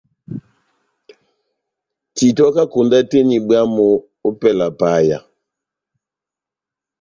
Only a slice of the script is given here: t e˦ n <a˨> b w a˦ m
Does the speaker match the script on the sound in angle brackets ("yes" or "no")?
no